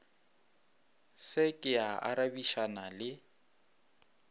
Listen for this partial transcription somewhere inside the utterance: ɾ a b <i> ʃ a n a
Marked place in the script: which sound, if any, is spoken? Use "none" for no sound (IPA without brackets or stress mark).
i